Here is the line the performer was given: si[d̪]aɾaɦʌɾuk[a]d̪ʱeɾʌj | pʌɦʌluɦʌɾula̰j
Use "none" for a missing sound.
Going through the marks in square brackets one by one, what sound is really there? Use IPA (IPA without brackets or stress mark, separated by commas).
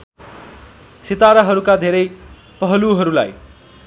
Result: t̪, a